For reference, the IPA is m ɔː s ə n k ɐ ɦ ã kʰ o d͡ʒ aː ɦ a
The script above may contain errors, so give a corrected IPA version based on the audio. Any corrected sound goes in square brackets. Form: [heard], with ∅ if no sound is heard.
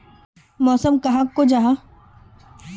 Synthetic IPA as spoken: m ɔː s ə [m] k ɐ ɦ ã [k] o d͡ʒ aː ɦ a